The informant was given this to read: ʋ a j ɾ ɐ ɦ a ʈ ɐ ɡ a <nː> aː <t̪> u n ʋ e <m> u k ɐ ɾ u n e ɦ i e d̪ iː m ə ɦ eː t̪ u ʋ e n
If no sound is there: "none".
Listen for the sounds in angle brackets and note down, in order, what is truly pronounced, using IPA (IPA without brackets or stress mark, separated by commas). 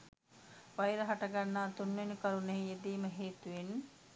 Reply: nː, t̪, n